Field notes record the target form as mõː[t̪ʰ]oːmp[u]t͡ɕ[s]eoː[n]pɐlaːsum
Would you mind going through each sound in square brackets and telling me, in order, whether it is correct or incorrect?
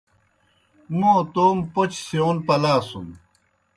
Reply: incorrect, incorrect, correct, correct

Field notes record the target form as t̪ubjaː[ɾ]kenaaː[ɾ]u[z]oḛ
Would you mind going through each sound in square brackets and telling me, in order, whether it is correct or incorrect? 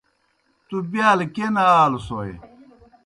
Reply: incorrect, incorrect, incorrect

